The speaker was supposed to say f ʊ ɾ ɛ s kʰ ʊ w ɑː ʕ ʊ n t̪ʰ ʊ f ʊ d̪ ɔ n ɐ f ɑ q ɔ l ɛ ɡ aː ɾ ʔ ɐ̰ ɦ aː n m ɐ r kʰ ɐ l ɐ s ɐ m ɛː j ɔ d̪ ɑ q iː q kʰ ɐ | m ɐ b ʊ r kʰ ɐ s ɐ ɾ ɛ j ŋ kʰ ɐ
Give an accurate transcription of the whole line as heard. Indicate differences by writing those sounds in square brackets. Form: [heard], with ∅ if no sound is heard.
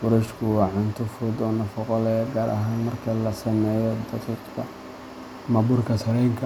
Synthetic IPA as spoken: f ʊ ɾ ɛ [ʃ] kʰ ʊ w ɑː ʕ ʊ n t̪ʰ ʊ f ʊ d̪ ɔ n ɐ f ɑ q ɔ l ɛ ɡ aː ɾ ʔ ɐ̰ ɦ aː n m ɐ r kʰ ɐ l ɐ s ɐ m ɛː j ɔ d̪ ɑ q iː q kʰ ɐ | m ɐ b ʊ r kʰ ɐ s ɐ ɾ ɛ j ŋ kʰ ɐ